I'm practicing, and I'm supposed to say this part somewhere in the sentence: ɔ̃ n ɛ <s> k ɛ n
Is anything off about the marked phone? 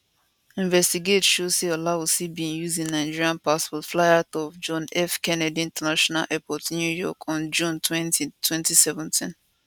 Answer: yes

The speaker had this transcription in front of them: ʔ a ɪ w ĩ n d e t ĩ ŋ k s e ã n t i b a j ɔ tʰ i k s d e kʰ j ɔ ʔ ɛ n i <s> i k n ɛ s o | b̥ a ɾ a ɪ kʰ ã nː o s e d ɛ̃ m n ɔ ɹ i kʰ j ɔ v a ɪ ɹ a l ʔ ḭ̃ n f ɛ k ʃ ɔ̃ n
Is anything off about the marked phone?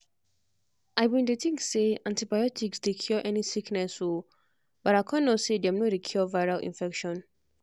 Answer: no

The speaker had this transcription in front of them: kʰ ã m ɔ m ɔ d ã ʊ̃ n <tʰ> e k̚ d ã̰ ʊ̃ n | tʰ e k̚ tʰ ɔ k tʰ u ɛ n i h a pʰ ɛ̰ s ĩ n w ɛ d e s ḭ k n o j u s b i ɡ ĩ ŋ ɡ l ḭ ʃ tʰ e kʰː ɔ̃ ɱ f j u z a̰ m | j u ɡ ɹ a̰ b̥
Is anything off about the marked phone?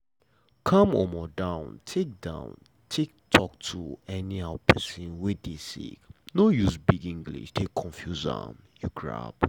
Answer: no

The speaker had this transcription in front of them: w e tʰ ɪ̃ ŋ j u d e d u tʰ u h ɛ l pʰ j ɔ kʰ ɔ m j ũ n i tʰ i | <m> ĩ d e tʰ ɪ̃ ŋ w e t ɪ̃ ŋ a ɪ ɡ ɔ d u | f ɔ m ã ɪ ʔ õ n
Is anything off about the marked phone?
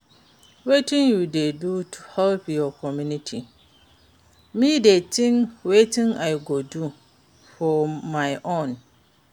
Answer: no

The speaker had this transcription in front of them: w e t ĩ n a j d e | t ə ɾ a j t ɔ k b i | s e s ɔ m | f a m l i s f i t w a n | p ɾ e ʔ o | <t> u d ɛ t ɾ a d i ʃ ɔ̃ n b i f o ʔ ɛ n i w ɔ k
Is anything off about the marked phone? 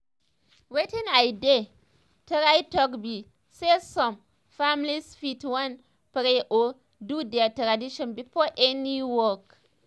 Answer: yes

